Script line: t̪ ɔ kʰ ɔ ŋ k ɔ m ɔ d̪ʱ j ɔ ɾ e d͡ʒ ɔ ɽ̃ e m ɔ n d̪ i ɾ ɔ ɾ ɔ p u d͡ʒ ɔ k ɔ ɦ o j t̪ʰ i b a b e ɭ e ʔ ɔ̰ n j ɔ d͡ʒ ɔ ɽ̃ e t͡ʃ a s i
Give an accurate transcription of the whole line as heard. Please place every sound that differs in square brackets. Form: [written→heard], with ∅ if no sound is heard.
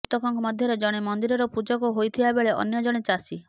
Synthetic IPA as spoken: t̪ ɔ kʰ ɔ ŋ k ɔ m ɔ d̪ʱ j ɔ ɾ e d͡ʒ ɔ ɽ̃ e m ɔ n d̪ i ɾ ɔ ɾ ɔ p u d͡ʒ ɔ k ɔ ɦ o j t̪ʰ i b a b e ɭ e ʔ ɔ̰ n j ɔ d͡ʒ ɔ ɽ̃ e t͡ʃ a s i